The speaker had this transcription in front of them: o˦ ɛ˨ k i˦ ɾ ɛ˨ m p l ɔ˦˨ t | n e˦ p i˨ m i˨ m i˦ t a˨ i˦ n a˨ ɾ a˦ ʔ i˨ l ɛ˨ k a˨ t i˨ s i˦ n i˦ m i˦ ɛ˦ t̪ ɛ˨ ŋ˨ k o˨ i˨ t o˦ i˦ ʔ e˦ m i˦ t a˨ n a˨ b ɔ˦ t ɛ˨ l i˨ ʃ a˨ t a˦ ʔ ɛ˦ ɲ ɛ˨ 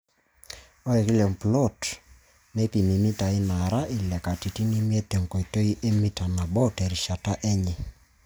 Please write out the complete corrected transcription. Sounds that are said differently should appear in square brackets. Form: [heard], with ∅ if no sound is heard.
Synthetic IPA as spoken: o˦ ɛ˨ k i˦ [l] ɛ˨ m p l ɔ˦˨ t | n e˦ p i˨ m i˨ m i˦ t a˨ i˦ n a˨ ɾ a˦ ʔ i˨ l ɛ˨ k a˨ t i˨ [t] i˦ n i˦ m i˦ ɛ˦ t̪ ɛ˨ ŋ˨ k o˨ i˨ t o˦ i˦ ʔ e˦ m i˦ t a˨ n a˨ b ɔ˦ t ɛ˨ [ɾ] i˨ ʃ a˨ t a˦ ʔ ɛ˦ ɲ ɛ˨